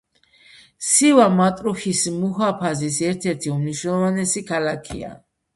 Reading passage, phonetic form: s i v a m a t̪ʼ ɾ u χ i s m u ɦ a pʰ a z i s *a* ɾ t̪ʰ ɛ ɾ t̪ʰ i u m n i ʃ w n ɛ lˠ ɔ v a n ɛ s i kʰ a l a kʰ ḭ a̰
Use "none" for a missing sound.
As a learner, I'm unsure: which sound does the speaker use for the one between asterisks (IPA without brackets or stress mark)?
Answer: ɛ